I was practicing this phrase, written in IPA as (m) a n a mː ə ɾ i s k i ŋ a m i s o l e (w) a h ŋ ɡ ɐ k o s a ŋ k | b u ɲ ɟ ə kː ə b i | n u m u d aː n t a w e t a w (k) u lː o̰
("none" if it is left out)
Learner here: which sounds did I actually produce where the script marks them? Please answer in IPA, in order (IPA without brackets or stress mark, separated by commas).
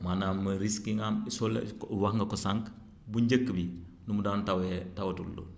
m, w, t